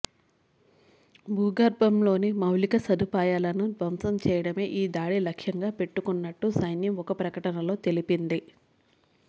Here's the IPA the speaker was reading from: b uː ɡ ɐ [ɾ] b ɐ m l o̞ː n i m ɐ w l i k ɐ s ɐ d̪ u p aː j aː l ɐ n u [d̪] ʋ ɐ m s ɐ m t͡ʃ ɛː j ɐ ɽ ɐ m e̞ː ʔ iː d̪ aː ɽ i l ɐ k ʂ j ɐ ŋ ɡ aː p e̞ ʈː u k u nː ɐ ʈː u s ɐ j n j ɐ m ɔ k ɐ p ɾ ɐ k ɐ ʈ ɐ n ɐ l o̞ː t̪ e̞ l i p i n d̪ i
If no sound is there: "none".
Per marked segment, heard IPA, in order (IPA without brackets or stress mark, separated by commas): ɾ, d̪